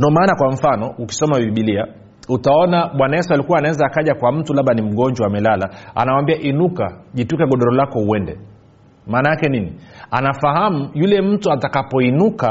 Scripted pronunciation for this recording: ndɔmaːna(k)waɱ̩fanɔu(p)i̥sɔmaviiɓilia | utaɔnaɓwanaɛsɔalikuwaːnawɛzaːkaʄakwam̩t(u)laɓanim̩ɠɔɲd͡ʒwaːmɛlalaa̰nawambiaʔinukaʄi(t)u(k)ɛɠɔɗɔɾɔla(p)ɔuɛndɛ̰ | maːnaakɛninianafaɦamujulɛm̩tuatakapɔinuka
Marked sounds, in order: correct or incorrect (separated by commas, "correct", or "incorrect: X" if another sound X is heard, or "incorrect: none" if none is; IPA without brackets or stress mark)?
correct, incorrect: k, correct, correct, correct, incorrect: k